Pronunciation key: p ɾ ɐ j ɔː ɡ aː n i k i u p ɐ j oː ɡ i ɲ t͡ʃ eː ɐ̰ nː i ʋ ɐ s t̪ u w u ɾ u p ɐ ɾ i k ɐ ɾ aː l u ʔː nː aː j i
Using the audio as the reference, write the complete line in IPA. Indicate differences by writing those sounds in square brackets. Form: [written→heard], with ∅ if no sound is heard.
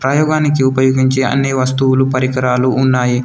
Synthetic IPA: p ɾ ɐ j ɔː ɡ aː n i k i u p ɐ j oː ɡ i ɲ t͡ʃ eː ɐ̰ nː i ʋ ɐ s t̪ u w u [ɾ→l] u p ɐ ɾ i k ɐ ɾ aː l u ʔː nː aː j i